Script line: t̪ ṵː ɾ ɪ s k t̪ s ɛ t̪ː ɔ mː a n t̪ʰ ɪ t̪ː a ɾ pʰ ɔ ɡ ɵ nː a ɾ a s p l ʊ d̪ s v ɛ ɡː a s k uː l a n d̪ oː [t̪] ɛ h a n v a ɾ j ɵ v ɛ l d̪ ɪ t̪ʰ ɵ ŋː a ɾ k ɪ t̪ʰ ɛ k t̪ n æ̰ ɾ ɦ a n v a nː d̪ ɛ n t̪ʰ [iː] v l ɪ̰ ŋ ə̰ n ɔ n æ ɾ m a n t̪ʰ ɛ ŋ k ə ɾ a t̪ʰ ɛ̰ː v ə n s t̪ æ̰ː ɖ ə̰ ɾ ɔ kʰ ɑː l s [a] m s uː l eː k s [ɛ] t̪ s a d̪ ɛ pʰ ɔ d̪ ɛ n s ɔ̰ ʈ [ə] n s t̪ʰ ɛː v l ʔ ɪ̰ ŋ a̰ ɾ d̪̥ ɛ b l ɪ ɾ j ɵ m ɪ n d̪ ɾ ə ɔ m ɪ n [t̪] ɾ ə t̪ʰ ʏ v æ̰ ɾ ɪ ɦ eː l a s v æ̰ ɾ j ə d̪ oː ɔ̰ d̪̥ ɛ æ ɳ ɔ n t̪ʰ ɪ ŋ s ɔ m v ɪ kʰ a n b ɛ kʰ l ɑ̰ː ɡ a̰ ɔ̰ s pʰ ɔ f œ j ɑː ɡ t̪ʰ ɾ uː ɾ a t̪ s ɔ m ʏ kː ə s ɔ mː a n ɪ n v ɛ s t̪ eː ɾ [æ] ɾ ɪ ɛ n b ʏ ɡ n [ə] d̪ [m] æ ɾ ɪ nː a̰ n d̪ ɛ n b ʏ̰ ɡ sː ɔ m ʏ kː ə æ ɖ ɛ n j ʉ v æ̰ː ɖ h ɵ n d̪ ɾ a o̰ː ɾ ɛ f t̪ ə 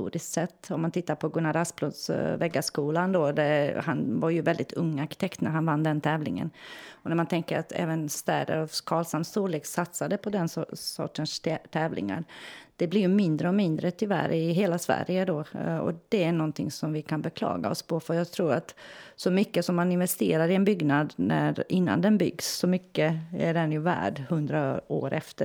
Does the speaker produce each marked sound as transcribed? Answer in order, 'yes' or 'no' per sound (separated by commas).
no, no, yes, no, yes, no, no, no, no